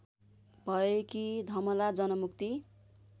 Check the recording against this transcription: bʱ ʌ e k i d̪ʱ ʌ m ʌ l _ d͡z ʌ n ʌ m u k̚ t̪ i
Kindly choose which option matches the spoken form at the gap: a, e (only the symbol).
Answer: a